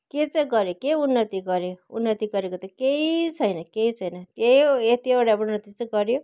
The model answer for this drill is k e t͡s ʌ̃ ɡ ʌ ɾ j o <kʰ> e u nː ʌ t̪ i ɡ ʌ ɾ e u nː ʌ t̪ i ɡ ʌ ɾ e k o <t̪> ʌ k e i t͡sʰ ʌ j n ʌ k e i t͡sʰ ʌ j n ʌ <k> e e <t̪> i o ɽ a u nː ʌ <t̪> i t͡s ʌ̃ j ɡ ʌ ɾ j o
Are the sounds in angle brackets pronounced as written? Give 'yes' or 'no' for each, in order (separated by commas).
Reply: no, yes, yes, yes, yes